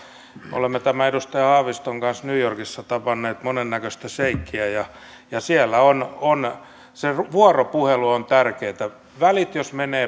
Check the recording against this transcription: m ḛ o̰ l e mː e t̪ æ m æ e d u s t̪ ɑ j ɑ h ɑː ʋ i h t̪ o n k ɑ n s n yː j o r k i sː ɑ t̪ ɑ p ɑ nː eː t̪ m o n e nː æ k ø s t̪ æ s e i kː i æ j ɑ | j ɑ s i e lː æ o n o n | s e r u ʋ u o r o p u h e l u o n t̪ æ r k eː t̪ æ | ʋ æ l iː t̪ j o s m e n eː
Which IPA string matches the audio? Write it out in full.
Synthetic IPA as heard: m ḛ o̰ l e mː e t̪ æ m æ e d u s t̪ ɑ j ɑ h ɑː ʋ i s t̪ o ŋ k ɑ n s n yː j o r k i sː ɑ t̪ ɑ p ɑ nː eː t̪ m o n e nː æ k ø s t̪ æ s e i kː i æ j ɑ | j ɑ s i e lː æ o n o n | s e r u ʋ u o r o p u h e l u o n t̪ æ r k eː t̪ æ | ʋ æ l i t̪ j o s m e n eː